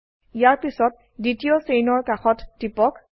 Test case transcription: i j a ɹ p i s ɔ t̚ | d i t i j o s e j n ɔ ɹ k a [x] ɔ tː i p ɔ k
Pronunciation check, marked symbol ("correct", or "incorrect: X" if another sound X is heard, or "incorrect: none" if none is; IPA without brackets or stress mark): correct